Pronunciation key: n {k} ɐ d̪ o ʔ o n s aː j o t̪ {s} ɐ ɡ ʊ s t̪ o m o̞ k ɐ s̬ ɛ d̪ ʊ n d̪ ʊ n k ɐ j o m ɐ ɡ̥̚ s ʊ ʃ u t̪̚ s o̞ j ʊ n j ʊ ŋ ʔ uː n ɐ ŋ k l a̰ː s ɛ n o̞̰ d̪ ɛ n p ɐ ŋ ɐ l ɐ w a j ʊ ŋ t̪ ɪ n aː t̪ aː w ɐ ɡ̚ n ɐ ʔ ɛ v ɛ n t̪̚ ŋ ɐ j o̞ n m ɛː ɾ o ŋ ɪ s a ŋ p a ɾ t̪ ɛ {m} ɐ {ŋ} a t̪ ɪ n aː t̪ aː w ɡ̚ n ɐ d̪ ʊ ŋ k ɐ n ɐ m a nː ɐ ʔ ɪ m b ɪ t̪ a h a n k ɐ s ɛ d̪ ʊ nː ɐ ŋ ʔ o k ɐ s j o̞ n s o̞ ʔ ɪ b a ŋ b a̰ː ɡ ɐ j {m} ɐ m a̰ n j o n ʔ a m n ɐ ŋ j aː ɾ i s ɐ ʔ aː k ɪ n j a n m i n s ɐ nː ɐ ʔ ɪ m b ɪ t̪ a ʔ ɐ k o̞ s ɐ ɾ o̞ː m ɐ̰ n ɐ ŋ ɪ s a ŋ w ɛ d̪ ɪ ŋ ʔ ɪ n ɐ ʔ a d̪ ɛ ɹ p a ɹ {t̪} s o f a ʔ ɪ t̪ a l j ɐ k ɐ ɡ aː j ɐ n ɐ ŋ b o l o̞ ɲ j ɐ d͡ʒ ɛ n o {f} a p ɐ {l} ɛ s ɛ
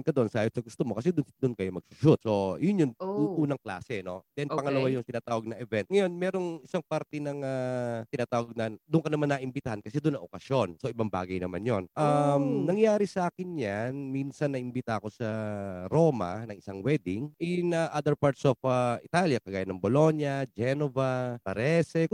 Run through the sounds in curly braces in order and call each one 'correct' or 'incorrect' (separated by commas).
correct, correct, incorrect, correct, incorrect, correct, incorrect, incorrect